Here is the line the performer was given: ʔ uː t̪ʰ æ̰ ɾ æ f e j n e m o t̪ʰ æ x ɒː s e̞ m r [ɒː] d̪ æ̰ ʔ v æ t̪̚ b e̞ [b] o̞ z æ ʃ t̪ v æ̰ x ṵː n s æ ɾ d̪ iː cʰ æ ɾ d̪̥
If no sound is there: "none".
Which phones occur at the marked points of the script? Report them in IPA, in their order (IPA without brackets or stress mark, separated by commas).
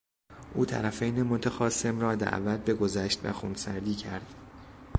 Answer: ɒː, ɡ